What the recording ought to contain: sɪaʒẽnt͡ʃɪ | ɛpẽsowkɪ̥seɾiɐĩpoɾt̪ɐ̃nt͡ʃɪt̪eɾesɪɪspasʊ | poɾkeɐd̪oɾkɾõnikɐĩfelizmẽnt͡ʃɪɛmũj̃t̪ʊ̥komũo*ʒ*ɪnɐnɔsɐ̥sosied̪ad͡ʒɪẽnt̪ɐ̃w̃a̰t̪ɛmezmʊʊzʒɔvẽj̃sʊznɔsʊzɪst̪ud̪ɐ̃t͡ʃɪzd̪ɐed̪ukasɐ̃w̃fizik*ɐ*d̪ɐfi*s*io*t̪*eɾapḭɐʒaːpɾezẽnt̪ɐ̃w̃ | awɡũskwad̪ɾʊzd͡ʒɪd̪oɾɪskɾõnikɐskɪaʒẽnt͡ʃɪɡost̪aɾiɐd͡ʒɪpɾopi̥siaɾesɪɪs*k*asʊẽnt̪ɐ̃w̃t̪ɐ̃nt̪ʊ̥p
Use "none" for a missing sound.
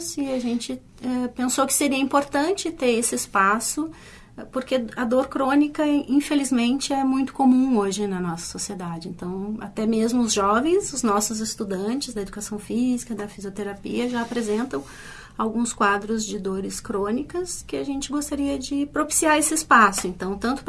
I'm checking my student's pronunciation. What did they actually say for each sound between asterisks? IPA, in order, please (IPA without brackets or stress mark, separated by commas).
ʒ, ɐ, z, t̪, p